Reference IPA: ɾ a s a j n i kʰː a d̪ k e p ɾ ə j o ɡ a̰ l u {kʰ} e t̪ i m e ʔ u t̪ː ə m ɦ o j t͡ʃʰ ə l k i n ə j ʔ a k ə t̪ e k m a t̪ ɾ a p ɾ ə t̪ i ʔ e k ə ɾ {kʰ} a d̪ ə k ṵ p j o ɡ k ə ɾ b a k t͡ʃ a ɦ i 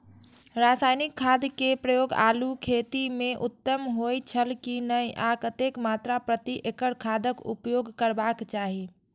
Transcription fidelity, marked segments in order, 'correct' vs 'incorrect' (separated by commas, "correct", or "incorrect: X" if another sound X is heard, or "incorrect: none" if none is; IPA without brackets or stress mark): correct, correct